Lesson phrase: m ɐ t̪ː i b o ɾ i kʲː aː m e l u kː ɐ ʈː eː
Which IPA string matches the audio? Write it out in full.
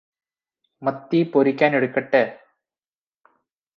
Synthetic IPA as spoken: m ɐ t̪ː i p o ɾ i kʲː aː n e ɽ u kː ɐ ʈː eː